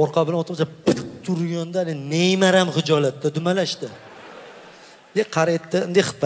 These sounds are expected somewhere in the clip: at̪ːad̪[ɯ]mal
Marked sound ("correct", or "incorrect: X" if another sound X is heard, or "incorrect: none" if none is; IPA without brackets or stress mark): incorrect: ʊ